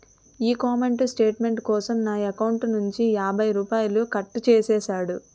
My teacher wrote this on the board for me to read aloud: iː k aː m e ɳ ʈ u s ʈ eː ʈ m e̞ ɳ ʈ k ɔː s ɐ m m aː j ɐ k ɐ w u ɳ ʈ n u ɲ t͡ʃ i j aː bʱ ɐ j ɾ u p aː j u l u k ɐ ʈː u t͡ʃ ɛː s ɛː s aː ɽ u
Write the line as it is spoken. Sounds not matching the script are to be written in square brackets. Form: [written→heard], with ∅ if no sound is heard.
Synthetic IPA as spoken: iː k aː m e ɳ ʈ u s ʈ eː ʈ m e̞ ɳ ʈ k ɔː s ɐ m [m→n] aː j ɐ k ɐ w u ɳ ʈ n u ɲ t͡ʃ i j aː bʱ ɐ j ɾ [u→uː] p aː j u l u k ɐ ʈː u t͡ʃ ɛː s ɛː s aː ɽ u